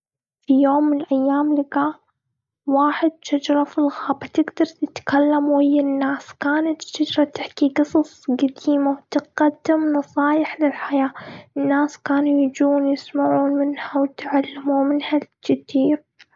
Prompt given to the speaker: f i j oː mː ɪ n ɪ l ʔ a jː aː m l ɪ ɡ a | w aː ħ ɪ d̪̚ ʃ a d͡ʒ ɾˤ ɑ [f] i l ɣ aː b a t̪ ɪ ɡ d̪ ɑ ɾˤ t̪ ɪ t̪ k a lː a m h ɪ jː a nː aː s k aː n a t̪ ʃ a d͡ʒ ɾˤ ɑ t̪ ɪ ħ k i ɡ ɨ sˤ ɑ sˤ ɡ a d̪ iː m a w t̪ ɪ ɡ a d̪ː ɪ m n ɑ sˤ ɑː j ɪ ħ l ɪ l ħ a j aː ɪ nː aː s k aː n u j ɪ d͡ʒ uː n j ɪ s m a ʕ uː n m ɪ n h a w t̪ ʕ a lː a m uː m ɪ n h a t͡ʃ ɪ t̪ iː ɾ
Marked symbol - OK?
yes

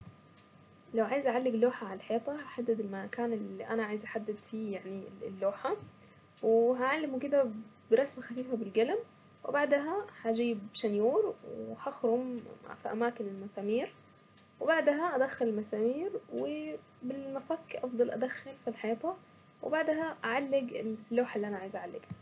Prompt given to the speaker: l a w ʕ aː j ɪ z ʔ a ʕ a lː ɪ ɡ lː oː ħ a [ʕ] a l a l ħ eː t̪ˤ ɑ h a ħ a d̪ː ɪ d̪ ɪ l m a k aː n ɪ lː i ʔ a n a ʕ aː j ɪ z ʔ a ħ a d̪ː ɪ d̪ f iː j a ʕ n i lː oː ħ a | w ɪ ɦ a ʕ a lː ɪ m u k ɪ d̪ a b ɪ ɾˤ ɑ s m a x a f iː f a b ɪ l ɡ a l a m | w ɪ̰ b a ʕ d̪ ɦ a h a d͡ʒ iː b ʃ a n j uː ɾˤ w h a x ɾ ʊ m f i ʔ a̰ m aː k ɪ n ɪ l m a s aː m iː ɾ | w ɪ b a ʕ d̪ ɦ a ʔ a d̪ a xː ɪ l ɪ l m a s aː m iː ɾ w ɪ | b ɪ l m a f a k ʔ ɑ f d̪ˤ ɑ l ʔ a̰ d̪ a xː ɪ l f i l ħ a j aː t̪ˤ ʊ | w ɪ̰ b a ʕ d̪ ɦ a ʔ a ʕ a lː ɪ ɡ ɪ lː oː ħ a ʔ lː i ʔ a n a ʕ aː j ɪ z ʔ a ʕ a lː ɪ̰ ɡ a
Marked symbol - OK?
yes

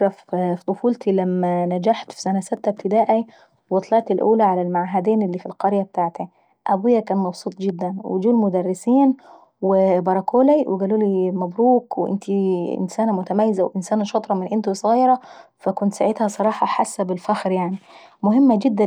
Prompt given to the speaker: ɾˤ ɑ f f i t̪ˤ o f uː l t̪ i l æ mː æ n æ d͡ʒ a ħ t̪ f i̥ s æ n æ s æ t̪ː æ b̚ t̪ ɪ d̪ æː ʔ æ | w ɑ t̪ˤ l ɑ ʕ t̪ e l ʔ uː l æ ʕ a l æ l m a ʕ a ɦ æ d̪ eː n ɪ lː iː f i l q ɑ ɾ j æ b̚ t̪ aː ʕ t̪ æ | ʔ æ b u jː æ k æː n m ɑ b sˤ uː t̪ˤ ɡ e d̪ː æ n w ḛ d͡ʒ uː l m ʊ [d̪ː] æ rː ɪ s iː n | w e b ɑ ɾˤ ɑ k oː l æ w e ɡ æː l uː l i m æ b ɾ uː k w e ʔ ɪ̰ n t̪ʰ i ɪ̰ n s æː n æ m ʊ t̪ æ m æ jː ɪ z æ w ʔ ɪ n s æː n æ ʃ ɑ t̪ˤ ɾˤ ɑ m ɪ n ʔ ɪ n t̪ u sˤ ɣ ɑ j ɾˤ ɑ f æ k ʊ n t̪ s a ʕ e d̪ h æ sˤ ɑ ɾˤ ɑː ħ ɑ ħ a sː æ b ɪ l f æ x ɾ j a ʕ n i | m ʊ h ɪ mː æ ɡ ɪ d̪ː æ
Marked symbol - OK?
no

